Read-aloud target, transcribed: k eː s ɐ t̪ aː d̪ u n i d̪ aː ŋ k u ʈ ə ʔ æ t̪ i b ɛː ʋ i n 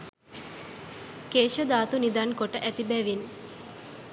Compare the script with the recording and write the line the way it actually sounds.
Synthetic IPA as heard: k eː ʃ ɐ d̪ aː t̪ u n i d̪ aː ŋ k o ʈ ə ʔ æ t̪ i b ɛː ʋ i n